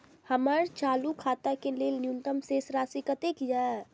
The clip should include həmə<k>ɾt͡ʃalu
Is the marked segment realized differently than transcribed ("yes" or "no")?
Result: yes